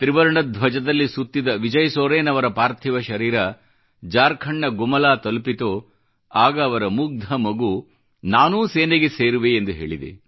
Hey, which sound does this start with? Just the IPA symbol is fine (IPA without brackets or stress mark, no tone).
t̪